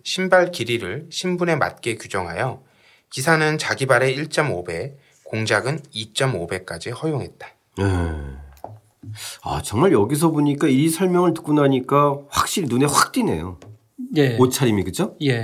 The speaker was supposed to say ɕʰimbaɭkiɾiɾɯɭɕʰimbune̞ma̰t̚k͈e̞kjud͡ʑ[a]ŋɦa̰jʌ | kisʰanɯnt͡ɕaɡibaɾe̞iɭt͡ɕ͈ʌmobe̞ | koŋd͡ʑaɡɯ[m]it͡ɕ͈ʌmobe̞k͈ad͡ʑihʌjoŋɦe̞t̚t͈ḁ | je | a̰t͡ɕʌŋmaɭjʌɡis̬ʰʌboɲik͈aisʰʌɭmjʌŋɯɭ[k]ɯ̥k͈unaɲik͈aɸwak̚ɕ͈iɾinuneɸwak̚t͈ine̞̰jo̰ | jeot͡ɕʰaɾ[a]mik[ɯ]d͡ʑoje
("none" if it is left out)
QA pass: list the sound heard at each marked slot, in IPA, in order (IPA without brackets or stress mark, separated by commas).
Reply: ʌ, n, t, i, ɯ